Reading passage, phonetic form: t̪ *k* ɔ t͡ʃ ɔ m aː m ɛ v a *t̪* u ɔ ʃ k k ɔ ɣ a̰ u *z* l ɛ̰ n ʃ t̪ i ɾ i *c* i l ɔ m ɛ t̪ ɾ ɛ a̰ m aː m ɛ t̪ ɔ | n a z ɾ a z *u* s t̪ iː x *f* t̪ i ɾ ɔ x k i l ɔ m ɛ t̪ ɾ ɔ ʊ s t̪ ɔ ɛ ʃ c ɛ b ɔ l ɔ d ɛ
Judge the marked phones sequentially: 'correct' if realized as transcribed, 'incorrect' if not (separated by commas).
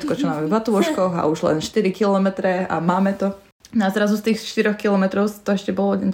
correct, correct, incorrect, incorrect, correct, incorrect